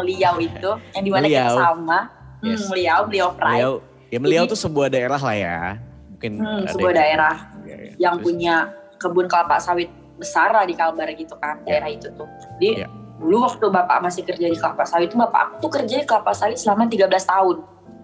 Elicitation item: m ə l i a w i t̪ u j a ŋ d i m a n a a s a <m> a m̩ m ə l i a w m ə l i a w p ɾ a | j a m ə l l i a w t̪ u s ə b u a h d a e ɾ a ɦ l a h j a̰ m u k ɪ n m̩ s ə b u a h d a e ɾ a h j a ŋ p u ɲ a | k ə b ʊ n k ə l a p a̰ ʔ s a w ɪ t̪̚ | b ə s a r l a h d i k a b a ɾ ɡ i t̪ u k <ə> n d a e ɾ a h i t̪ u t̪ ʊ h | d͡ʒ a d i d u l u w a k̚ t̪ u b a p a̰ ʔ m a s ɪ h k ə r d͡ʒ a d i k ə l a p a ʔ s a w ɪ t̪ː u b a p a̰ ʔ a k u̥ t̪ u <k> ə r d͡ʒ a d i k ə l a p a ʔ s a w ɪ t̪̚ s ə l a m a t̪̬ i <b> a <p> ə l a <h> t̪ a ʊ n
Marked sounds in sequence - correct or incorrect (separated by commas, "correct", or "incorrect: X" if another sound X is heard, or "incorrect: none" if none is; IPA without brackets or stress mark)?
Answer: correct, incorrect: a, correct, incorrect: ɡ, incorrect: b, incorrect: s